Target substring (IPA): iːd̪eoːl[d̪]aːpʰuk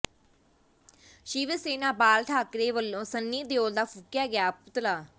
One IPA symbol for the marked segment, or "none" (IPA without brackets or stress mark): d̪